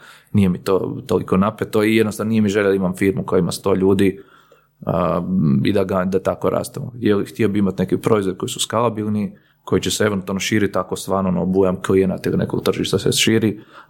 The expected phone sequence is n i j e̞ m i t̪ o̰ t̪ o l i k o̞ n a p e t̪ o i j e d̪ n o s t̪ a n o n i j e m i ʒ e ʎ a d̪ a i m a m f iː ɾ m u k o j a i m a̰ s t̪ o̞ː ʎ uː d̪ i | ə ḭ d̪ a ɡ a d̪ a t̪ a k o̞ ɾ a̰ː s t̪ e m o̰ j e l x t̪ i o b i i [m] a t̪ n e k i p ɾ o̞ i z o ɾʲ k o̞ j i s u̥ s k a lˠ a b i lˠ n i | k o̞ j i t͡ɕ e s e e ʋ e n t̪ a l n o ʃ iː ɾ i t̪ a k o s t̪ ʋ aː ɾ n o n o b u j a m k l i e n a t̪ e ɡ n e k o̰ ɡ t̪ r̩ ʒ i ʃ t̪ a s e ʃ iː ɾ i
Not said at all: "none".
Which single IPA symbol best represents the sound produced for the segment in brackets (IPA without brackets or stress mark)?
m